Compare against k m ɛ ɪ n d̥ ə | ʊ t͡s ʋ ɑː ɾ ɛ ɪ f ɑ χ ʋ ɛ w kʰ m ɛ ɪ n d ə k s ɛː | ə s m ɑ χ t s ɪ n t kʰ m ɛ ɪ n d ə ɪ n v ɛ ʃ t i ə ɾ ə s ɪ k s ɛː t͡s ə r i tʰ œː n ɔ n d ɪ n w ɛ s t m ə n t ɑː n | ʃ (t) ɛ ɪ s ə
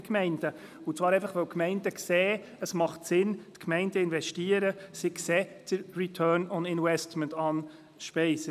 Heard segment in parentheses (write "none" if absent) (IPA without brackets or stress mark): p